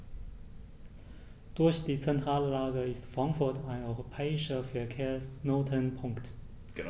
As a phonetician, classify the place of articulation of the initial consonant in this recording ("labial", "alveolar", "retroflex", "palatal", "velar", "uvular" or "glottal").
alveolar